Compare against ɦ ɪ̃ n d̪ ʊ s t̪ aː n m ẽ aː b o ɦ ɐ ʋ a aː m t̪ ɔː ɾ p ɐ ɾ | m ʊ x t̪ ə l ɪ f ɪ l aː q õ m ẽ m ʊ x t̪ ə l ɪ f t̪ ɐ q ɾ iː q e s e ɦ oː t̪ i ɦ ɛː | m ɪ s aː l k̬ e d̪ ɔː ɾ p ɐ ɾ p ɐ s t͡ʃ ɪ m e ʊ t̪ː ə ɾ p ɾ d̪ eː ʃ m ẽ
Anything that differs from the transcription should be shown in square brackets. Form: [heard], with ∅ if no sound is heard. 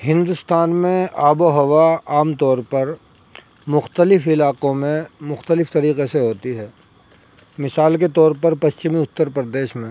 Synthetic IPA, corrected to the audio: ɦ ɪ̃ n d̪ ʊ s t̪ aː n m ẽ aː b o ɦ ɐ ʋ a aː m t̪ ɔː ɾ p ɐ ɾ | m ʊ x t̪ ə l ɪ f ɪ l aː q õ m ẽ m ʊ x t̪ ə l ɪ f t̪ ɐ [∅] ɾ iː q e s e ɦ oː t̪ i ɦ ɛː | m ɪ s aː l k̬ e [t̪] ɔː ɾ p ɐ ɾ p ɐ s t͡ʃ ɪ m [i] ʊ t̪ː ə ɾ p ɾ d̪ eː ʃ m ẽ